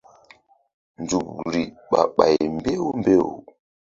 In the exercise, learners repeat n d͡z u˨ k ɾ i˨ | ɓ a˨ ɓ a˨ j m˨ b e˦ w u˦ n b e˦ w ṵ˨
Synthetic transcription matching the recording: n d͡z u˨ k ɾ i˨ | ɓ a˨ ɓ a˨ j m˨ b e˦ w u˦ m b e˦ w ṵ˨